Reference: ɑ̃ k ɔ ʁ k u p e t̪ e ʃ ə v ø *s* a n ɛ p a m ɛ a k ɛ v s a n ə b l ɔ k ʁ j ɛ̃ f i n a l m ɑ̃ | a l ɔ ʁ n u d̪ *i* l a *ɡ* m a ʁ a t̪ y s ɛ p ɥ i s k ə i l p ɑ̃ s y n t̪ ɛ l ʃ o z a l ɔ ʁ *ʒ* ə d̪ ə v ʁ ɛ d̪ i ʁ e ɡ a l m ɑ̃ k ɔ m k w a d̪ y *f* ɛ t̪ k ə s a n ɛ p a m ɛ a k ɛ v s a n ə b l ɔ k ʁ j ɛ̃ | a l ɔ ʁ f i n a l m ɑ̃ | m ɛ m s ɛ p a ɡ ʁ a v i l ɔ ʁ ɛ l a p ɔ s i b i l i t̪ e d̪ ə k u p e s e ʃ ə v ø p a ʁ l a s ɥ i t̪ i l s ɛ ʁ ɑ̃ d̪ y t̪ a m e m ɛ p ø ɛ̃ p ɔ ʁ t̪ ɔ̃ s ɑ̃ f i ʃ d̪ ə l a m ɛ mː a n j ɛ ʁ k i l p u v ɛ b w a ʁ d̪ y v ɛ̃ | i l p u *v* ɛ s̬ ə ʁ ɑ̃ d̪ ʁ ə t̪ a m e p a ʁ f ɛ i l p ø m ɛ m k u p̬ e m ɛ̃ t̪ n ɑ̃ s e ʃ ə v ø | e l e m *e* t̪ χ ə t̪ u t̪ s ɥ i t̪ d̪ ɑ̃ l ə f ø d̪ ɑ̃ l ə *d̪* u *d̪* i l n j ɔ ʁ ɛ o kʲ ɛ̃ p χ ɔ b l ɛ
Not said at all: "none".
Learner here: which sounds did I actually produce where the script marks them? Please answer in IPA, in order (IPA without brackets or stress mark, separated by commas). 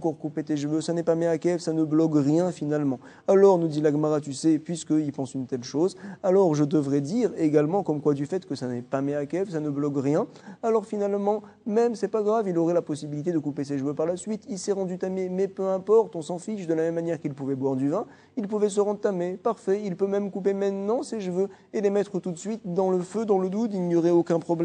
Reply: s, i, ɡ, ʒ, f, v, ɛ, d̪, d̪